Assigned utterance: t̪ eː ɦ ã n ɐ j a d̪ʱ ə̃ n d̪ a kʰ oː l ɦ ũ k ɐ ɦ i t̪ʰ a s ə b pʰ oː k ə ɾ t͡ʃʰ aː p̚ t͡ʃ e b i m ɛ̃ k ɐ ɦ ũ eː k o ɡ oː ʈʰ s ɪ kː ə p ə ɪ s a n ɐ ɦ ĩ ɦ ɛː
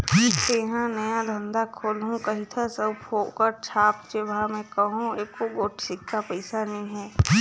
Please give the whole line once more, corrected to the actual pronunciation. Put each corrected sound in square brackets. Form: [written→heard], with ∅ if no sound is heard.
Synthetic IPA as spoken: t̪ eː ɦ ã n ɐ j a d̪ʱ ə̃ n d̪ a kʰ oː l ɦ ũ k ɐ ɦ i t̪ʰ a s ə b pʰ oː k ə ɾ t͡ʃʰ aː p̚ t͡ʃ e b [i→a] m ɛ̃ k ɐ ɦ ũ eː k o ɡ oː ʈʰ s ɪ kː [ə→a] p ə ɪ s a n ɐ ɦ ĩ ɦ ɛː